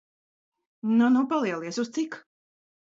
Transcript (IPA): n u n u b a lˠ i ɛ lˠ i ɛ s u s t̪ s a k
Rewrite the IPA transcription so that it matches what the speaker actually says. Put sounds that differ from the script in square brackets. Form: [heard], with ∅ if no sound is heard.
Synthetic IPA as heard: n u n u [p] a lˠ i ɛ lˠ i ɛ s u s t̪ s [i] k